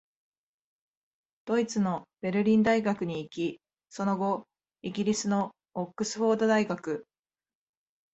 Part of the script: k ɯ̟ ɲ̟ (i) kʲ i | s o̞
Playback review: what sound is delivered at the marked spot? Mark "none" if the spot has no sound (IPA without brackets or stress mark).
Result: iː